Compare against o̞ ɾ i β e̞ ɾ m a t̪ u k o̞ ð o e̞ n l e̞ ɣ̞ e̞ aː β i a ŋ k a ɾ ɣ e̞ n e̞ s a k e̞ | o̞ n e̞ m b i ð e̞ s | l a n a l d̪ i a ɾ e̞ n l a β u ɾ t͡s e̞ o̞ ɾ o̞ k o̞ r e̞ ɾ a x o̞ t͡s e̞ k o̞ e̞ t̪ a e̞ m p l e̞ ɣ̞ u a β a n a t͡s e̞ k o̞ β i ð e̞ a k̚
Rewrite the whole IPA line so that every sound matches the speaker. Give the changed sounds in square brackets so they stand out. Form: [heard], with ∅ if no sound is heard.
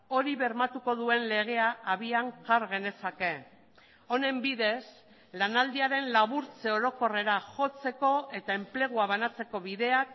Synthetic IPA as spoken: o̞ ɾ i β e̞ ɾ m a t̪ u k o̞ ð [u] e̞ n l e̞ ɣ̞ e̞ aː β i a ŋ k a ɾ ɣ e̞ n e̞ s a k e̞ | o̞ n e̞ m b i ð e̞ s | l a n a l d̪ i a ɾ e̞ n l a β u ɾ t͡s e̞ o̞ ɾ o̞ k o̞ r e̞ ɾ a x o̞ t͡s e̞ k o̞ e̞ t̪ a e̞ m p l e̞ ɣ̞ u a β a n a t͡s e̞ k o̞ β i ð e̞ a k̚